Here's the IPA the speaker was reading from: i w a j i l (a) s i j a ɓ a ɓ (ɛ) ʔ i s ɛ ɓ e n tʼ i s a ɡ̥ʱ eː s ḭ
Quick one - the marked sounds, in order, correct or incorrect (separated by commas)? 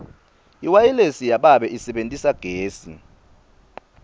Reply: incorrect, correct